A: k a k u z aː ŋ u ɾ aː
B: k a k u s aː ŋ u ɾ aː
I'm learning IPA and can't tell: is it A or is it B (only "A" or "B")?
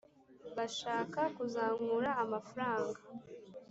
A